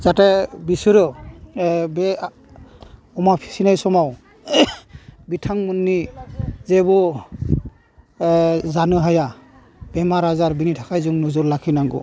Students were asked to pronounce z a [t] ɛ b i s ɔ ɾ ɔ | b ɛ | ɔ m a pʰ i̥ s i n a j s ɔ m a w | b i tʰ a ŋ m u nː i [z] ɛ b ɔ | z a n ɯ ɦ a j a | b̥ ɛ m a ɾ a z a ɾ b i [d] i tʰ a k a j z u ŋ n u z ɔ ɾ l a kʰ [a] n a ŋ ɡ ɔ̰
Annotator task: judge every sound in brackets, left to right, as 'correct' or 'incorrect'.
correct, correct, incorrect, incorrect

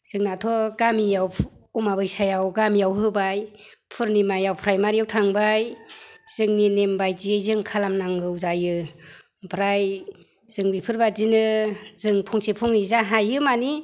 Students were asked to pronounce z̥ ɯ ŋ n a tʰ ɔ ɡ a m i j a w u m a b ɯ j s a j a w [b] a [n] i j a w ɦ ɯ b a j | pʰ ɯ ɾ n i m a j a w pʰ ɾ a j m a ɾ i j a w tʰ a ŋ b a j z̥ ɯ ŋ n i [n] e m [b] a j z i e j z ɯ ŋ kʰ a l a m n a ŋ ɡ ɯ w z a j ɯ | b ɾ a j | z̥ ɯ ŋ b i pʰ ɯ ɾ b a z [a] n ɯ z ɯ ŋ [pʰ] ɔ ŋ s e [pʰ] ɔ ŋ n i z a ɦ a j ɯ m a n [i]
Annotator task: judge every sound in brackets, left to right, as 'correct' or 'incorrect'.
incorrect, incorrect, correct, correct, incorrect, correct, correct, correct

